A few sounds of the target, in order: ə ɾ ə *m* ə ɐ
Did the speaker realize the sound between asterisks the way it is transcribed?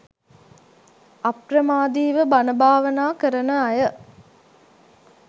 no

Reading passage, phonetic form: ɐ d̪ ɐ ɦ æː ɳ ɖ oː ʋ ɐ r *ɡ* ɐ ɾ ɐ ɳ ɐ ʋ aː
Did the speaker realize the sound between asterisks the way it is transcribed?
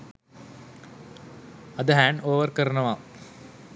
no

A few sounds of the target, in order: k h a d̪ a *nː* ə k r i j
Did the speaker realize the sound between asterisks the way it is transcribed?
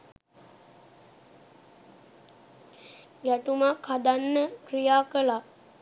yes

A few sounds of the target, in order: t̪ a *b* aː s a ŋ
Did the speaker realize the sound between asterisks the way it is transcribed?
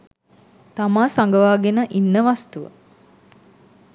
no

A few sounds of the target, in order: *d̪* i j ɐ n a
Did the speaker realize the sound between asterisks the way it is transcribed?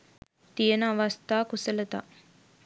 no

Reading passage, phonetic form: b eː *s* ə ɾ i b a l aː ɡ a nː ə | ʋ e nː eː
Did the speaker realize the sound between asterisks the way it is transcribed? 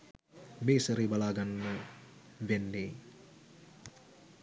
yes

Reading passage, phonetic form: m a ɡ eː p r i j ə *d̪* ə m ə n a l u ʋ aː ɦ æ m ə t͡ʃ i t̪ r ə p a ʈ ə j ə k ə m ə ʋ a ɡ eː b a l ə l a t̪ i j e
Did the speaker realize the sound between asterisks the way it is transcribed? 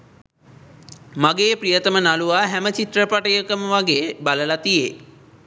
no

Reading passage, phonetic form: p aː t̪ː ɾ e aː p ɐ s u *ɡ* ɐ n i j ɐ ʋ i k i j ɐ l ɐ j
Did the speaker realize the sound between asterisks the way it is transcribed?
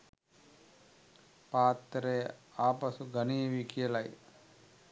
yes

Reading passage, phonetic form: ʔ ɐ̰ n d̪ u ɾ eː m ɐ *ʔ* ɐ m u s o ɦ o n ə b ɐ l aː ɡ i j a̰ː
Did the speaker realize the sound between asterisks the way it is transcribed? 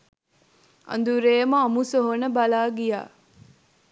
no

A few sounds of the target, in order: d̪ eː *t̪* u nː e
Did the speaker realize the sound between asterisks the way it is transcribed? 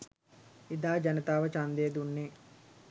no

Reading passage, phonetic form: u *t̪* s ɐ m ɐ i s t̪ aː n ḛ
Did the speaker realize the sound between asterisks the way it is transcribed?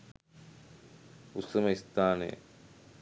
no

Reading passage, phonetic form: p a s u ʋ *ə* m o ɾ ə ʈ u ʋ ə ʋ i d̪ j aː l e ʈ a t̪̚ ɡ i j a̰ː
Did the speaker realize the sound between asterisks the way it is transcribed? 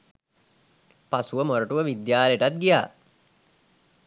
yes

